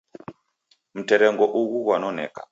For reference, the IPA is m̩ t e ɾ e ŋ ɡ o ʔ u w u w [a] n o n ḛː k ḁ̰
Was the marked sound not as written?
no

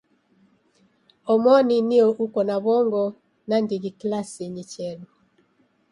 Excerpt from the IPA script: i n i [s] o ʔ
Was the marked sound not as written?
yes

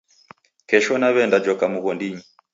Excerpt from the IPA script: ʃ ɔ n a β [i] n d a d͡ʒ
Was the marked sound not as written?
yes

